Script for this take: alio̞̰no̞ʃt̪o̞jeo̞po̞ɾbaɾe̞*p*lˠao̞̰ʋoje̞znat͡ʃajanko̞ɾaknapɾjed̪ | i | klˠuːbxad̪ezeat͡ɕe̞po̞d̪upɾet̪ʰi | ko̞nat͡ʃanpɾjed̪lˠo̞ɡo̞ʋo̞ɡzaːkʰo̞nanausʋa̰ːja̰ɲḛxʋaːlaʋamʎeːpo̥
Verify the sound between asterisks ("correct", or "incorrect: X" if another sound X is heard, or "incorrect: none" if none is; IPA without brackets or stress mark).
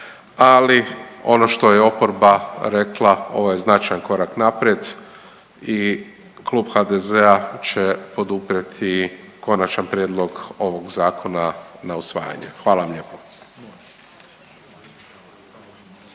incorrect: k